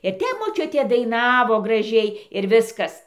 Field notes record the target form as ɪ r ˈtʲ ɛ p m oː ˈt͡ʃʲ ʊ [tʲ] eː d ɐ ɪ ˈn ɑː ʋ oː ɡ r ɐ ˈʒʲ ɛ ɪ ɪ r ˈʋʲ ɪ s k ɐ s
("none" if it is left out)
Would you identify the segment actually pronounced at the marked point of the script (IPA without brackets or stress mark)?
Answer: tʲ